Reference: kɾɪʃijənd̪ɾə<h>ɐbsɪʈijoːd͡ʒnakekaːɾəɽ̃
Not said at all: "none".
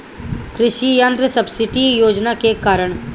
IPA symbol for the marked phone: s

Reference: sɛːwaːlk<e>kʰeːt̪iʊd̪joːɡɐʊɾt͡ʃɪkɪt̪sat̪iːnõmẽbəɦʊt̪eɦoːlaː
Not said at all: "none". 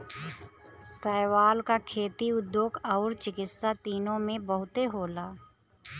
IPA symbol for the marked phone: a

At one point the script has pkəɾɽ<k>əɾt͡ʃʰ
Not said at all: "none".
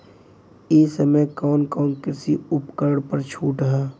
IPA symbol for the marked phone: p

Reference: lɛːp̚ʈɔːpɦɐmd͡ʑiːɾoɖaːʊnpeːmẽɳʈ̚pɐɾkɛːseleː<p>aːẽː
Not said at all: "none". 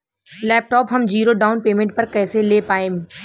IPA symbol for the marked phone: p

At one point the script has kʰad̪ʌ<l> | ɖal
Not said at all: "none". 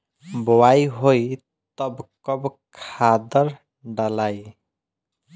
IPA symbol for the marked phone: ɾ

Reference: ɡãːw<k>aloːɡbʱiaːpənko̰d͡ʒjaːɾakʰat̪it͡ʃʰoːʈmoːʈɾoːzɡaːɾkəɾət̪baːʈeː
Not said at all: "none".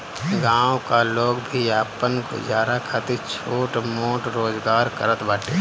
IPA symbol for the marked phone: k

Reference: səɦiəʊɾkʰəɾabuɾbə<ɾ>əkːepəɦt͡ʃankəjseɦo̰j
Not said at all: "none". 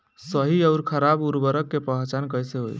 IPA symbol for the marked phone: ɾ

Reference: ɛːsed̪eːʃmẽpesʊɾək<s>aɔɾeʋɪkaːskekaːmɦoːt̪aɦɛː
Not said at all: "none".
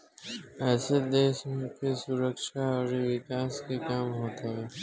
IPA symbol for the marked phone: ʃ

